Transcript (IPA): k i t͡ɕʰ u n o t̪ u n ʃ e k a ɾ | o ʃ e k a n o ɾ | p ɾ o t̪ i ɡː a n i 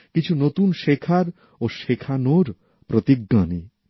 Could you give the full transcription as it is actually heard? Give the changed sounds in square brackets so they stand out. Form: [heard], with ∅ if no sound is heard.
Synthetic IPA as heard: k i t͡ɕʰ u n o t̪ u n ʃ e [kʰ] a ɾ | o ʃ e [kʰ] a n o ɾ | p ɾ o t̪ i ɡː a n i